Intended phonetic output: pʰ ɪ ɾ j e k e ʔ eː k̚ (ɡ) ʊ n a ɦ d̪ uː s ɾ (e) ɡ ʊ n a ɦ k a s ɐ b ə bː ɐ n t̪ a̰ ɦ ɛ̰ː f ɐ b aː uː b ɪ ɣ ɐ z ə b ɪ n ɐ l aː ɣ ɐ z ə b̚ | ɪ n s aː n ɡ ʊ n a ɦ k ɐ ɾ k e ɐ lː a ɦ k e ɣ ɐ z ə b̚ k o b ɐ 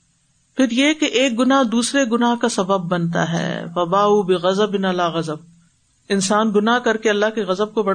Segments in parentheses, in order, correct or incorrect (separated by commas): correct, correct